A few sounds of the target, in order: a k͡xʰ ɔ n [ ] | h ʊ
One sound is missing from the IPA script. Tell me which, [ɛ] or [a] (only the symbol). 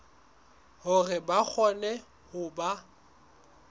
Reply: ɛ